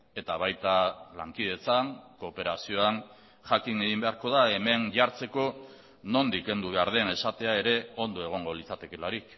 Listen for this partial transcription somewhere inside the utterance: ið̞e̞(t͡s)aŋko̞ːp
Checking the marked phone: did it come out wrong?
no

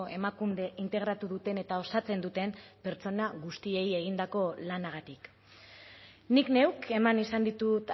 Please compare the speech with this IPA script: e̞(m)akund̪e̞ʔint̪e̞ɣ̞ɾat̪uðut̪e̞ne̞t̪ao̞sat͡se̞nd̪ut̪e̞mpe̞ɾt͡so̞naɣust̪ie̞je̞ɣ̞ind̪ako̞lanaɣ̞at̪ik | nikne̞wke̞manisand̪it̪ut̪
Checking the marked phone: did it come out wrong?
no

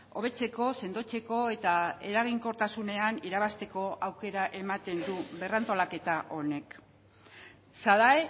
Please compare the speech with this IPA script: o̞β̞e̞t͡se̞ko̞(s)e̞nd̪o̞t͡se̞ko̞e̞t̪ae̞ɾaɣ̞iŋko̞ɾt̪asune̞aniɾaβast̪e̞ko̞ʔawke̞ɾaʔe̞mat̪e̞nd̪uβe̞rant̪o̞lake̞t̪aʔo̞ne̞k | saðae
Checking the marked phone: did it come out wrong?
no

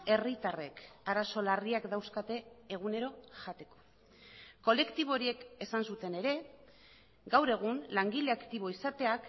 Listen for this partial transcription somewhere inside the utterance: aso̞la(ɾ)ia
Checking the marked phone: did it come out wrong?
yes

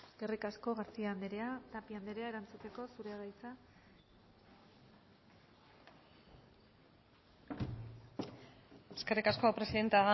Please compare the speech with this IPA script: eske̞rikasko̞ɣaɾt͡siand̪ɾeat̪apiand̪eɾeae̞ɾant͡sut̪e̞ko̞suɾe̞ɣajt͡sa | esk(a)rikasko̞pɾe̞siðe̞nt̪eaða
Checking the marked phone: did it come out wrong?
yes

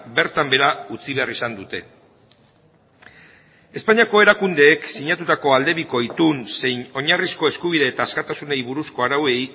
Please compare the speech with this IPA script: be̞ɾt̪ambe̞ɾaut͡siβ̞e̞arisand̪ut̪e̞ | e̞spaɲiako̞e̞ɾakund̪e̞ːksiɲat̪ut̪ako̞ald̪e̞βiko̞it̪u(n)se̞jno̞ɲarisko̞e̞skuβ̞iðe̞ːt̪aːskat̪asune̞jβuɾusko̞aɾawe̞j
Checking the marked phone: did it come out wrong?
no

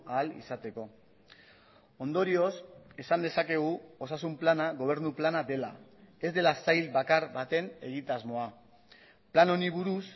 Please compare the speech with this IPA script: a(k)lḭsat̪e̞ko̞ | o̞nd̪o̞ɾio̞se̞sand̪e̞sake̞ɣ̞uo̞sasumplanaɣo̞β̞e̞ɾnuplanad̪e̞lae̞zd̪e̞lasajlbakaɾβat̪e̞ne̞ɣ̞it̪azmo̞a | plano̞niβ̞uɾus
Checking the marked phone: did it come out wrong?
yes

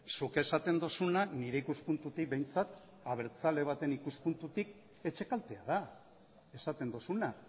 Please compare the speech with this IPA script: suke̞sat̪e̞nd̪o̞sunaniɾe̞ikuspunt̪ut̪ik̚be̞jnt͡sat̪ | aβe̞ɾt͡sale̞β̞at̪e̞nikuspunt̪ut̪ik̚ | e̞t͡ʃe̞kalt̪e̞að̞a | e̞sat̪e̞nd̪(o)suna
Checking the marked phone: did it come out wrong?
no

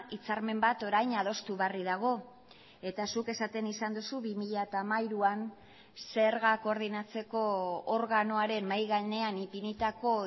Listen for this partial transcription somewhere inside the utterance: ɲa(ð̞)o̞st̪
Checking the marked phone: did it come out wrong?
no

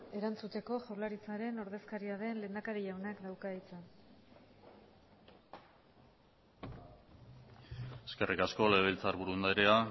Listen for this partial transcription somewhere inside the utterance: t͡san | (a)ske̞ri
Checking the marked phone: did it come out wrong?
yes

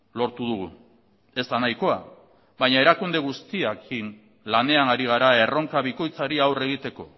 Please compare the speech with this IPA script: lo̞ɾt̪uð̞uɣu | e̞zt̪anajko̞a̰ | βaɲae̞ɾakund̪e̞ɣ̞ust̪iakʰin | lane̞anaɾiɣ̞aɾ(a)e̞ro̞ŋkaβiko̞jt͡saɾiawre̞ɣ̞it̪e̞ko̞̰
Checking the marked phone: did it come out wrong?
no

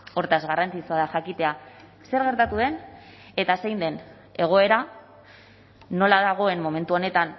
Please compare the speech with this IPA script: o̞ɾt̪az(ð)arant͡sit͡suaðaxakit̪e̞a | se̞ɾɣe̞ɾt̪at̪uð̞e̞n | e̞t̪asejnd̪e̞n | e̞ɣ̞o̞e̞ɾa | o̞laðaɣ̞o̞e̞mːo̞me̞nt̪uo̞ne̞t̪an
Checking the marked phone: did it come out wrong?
yes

